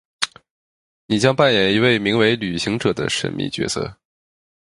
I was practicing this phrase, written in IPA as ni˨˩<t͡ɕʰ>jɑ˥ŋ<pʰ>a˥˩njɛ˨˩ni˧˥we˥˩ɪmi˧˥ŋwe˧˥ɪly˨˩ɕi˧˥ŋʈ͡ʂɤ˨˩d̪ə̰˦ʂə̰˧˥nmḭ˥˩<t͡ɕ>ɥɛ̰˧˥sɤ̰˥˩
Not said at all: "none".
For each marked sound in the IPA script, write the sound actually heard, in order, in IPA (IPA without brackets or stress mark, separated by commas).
t͡ɕ, p, t͡ɕ